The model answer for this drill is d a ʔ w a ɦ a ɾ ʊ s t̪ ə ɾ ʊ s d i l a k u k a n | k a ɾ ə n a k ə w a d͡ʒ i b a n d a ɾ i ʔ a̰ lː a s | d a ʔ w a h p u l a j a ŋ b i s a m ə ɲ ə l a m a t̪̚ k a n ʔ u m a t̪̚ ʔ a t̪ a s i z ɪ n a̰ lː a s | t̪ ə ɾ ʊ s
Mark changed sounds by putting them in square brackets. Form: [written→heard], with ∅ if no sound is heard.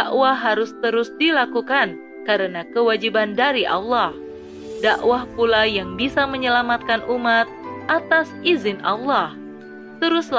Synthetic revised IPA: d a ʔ w a ɦ a ɾ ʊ s t̪ ə ɾ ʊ s d i l a k u k a n | k a ɾ ə n a k ə w a d͡ʒ i b a n d a ɾ i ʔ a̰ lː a [s→h] | d a ʔ w a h p u l a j a ŋ b i s a m ə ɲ ə l a m a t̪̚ k a n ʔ u m a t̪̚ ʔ a t̪ a s i z ɪ n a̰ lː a [s→h] | t̪ ə ɾ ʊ s